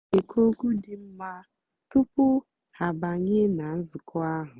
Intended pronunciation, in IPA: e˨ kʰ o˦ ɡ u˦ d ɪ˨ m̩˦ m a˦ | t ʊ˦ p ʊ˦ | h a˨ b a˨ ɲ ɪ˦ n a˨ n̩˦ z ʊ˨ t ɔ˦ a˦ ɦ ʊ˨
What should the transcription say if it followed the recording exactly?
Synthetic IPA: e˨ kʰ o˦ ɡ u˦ d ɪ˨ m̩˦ m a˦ | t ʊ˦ p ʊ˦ | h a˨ b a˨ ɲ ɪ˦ n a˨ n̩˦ z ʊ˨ k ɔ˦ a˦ ɦ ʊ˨